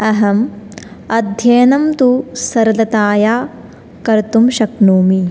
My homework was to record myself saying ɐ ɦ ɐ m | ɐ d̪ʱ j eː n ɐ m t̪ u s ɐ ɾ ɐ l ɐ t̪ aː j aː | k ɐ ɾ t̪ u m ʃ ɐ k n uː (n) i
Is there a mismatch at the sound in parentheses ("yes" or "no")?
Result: yes